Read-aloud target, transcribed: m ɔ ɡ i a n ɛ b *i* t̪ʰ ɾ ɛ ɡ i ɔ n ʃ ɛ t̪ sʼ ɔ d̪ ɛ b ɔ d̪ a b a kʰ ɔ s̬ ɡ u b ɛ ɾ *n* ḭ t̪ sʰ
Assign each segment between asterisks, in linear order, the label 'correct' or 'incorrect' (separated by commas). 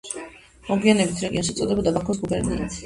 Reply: correct, correct